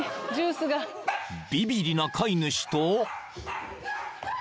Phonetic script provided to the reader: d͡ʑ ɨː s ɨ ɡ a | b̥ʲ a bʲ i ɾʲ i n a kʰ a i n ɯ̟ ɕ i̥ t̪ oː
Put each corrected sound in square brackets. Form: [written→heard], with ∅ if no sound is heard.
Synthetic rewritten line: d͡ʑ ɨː s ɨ ɡ a | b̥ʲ [a→i] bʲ i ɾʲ i n a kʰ a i n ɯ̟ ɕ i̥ t̪ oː